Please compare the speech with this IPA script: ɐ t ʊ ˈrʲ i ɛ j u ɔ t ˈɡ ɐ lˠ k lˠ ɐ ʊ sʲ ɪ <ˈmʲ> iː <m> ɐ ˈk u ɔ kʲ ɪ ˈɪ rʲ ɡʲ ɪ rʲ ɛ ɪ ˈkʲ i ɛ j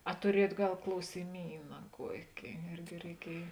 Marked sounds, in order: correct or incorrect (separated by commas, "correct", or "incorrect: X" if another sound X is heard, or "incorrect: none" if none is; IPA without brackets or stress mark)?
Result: correct, incorrect: n